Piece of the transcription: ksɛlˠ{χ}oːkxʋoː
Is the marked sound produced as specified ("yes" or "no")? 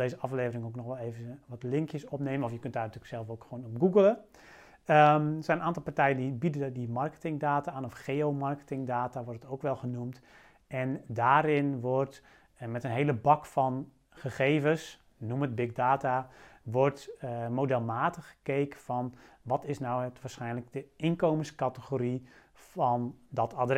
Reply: no